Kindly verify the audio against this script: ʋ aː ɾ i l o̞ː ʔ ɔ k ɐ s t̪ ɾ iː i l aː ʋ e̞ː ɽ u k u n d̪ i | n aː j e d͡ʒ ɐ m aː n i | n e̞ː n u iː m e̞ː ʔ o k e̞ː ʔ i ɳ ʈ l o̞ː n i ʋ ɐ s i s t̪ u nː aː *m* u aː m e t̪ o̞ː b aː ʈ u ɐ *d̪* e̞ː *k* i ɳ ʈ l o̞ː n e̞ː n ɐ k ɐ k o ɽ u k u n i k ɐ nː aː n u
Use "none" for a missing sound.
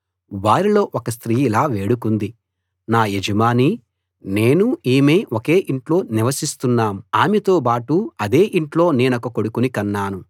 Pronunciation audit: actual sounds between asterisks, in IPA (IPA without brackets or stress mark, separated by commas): m, d̪, ʔ